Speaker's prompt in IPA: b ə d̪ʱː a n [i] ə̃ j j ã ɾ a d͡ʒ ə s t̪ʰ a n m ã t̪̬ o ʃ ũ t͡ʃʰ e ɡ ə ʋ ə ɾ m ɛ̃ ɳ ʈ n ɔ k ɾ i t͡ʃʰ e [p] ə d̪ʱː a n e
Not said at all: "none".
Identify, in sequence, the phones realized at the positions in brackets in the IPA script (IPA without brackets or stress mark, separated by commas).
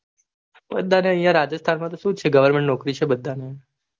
e, b